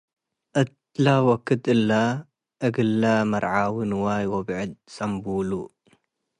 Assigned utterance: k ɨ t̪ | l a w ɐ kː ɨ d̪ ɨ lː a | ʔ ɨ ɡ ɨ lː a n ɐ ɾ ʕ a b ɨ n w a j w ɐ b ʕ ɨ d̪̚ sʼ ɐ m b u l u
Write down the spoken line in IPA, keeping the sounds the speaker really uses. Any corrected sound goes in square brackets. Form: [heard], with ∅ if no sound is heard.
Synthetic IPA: [ʔ] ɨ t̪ | l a w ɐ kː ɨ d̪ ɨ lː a | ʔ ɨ ɡ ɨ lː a [m] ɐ ɾ ʕ a [w] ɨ n w a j w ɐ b ʕ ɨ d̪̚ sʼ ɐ m b u l u